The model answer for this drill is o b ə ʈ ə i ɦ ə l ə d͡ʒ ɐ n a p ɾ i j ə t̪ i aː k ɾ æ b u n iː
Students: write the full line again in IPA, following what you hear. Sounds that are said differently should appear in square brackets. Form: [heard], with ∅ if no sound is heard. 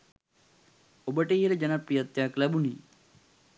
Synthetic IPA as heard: o b ə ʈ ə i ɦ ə l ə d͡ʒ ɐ n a p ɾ i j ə t̪ [j] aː k [l] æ b u n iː